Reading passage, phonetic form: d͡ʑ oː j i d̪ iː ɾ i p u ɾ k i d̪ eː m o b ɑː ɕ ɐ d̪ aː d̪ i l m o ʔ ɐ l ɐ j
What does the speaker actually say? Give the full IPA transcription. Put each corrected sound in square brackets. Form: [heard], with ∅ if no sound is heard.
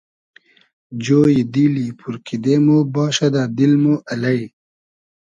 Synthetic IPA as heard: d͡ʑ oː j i d̪ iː [l] i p u ɾ k i d̪ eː m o b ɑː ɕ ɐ d̪ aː d̪ i l m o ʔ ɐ l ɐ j